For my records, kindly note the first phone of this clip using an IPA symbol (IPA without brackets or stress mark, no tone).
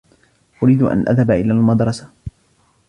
ʔ